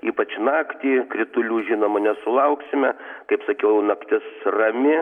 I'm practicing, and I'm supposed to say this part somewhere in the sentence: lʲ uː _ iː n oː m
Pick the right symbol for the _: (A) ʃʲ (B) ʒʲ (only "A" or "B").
B